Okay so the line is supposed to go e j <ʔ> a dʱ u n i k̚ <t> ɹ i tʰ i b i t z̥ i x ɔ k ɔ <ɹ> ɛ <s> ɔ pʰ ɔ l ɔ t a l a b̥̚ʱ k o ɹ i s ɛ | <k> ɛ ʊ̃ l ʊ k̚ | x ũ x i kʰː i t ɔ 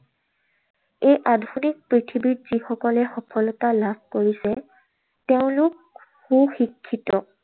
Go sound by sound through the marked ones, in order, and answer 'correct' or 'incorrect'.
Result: correct, incorrect: p, incorrect: l, incorrect: x, incorrect: t

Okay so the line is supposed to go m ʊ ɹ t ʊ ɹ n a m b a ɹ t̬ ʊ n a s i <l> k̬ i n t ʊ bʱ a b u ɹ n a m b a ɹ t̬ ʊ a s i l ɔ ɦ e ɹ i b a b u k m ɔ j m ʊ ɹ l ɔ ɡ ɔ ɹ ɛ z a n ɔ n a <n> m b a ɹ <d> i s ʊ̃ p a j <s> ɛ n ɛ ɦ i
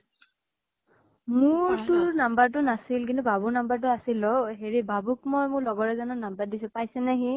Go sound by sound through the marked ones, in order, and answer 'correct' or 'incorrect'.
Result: correct, incorrect: none, correct, correct

